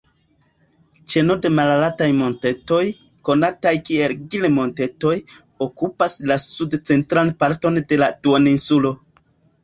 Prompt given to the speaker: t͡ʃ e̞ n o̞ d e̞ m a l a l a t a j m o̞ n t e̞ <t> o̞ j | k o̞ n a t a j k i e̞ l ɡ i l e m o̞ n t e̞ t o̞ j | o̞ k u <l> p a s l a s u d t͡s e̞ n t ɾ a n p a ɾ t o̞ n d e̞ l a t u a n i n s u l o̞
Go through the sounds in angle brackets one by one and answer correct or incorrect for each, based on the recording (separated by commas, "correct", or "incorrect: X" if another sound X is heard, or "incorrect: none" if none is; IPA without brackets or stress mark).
correct, incorrect: none